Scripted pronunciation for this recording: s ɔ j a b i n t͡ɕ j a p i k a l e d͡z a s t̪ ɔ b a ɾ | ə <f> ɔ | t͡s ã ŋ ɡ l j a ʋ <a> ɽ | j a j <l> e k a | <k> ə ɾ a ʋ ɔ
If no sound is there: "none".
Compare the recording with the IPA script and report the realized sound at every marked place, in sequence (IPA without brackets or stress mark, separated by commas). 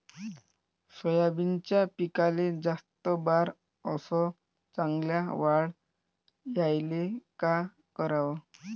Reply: s, a, l, k